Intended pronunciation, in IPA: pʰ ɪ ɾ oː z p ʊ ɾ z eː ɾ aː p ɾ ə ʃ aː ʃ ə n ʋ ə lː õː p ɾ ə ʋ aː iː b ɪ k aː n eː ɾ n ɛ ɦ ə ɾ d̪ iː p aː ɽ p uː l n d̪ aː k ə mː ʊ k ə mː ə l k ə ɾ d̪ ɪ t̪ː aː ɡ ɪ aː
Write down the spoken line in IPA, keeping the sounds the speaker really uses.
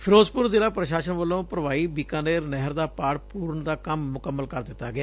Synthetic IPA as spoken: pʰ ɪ ɾ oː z p ʊ ɾ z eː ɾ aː p ɾ ə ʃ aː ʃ ə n ʋ ə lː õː p ɾ ə ʋ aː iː b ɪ k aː n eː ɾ n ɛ ɦ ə ɾ d̪ aː p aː ɽ p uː ɾ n d̪ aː k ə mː ʊ k ə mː ə l k ə ɾ d̪ ɪ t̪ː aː ɡ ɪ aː